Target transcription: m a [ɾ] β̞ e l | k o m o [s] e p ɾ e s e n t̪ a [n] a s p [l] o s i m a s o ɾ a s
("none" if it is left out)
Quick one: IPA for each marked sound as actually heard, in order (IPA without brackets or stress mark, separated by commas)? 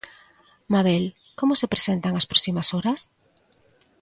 none, s, ŋ, ɾ